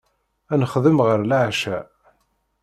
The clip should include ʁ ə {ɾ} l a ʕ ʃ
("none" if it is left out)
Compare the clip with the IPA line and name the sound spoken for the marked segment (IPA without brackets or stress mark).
ɾ